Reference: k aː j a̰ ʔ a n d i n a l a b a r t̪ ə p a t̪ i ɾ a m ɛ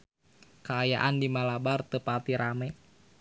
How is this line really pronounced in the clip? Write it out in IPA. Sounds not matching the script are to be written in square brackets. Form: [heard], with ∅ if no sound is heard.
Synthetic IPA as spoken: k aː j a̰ ʔ a n d i [m] a l a b a r t̪ ə p a t̪ i ɾ a m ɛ